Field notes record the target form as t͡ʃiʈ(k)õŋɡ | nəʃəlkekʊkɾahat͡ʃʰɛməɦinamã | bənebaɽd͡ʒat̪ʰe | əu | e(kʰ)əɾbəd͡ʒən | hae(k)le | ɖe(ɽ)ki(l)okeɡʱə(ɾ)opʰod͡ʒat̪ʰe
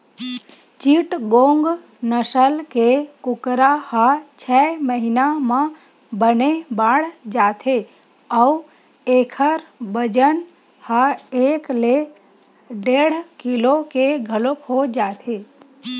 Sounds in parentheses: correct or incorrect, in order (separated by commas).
incorrect, correct, correct, correct, correct, incorrect